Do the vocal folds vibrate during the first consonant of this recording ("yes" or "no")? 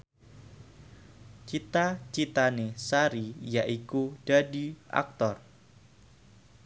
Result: no